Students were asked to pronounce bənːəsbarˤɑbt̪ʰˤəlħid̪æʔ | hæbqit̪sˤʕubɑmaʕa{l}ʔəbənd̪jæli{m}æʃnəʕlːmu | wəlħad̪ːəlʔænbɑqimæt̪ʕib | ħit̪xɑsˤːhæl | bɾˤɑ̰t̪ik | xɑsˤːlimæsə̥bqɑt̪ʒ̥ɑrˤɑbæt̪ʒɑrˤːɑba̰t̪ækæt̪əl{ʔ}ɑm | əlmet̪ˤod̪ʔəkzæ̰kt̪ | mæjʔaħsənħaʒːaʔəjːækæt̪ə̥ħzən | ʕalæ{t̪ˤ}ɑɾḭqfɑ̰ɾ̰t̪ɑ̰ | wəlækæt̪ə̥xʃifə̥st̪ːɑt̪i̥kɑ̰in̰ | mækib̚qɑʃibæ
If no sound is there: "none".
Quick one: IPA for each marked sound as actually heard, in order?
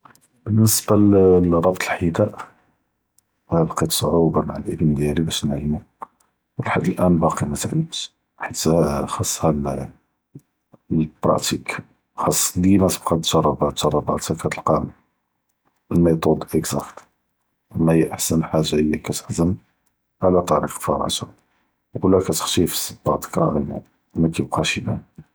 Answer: l, b, q, t̪ˤ

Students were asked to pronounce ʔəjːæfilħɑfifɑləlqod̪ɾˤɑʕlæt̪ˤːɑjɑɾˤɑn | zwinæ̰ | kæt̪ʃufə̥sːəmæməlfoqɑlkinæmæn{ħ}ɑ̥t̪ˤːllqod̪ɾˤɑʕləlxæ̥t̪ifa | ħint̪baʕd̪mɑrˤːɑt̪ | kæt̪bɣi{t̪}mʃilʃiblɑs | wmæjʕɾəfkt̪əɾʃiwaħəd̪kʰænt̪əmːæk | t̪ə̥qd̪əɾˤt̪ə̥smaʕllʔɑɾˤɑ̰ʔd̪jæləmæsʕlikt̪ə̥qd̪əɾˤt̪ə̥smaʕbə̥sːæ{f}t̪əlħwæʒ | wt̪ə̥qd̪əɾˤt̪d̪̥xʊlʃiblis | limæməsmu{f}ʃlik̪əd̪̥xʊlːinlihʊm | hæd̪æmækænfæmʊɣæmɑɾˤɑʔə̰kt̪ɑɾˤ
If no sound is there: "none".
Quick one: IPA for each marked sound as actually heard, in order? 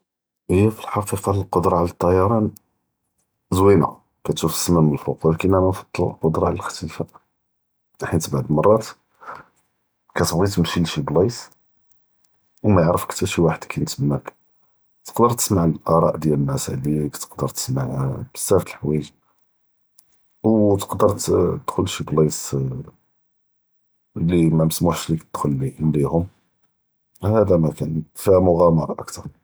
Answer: f, t̪, f, ħ

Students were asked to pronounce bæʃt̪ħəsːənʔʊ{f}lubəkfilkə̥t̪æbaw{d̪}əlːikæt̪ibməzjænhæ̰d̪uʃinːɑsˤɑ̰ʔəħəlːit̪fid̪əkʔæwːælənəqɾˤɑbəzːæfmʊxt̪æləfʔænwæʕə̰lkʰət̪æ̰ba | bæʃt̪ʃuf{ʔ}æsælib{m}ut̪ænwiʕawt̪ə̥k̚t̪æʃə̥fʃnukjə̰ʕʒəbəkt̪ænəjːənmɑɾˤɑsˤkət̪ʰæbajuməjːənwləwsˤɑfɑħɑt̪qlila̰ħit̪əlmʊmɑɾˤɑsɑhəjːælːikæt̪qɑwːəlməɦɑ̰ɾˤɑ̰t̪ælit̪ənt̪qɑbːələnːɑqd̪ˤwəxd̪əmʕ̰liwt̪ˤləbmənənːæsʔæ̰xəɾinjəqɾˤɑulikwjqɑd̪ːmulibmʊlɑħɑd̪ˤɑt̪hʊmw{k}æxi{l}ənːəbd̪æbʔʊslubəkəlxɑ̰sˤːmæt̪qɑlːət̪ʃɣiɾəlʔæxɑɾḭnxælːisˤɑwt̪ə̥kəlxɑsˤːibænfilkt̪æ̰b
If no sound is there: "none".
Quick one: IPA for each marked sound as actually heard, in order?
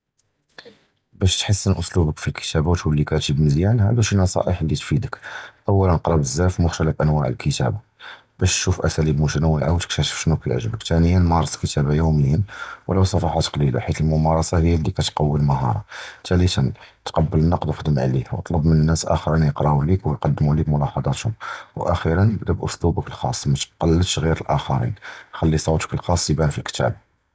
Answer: s, t̪, ʔ, m, ʔ, ɾ

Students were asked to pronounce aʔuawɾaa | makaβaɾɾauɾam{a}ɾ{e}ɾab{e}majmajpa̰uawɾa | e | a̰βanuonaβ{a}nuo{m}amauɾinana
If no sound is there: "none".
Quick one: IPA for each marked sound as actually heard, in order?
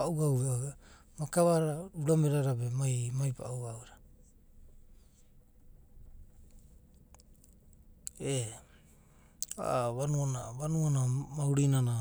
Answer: e, a, e, a, n

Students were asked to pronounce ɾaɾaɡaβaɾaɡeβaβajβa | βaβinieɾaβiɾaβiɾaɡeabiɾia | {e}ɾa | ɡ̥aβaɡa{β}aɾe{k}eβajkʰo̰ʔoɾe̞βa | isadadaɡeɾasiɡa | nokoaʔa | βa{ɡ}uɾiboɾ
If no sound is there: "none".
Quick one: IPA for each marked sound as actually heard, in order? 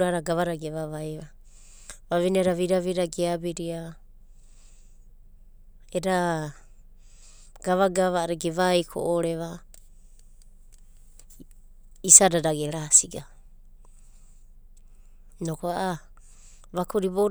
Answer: e, β, ɡ, k

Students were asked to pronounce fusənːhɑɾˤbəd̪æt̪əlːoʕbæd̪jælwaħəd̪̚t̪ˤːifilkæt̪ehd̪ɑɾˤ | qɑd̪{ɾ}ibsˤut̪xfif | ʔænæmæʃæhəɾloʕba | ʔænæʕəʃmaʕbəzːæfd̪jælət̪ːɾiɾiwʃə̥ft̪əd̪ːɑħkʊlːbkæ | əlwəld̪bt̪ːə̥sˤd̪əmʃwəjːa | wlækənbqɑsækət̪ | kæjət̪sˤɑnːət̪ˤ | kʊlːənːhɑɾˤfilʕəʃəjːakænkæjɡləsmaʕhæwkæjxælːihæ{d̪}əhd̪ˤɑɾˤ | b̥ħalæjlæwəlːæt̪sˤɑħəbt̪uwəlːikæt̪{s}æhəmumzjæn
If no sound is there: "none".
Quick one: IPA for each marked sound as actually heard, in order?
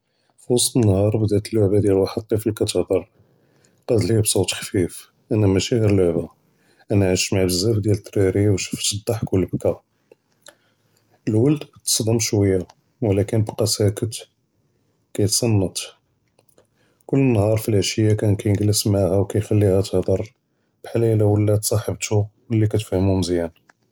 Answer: l, t̪, f

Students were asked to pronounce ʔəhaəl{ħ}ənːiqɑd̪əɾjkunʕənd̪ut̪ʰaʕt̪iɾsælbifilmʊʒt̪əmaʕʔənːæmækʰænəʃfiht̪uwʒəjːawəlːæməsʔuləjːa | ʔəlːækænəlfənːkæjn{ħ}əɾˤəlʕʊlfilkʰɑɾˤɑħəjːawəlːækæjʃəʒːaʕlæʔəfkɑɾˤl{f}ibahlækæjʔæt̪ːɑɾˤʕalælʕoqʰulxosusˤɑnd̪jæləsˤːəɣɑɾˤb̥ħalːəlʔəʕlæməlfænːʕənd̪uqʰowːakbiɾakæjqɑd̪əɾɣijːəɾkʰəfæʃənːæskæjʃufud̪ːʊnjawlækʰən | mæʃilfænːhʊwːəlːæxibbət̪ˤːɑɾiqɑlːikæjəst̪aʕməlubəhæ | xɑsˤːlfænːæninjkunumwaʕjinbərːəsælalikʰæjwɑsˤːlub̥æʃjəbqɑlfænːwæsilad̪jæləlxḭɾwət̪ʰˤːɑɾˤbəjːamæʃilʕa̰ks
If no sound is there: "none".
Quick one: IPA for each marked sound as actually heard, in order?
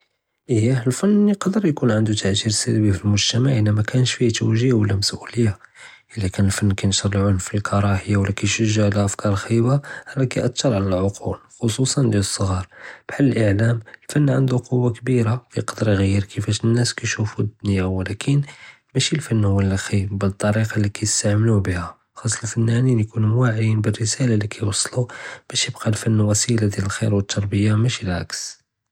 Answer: f, ʃ, x

